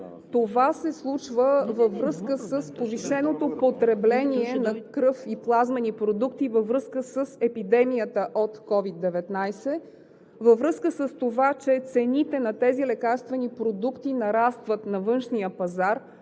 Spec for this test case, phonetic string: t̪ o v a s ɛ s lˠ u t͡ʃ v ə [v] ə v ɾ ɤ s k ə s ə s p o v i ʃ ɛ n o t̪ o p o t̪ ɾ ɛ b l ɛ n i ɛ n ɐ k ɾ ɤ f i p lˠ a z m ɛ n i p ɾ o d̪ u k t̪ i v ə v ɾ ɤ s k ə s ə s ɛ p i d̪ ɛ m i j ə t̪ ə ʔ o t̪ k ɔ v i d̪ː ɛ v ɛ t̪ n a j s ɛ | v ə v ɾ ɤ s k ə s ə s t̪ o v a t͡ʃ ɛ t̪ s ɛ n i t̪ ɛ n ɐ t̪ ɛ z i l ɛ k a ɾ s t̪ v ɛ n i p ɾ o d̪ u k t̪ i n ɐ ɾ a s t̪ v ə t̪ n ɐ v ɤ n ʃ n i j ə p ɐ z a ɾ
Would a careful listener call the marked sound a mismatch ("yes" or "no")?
no